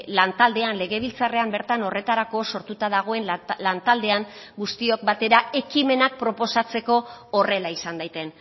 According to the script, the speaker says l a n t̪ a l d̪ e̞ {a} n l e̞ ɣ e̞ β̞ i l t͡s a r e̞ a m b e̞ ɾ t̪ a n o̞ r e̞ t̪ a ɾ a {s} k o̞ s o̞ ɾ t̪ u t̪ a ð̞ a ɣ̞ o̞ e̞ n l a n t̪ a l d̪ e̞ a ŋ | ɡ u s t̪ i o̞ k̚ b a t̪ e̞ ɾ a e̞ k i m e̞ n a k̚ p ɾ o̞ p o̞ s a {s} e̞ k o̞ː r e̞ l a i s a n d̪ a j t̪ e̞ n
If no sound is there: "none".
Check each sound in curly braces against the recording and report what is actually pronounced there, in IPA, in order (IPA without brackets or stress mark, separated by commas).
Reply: a, none, t͡s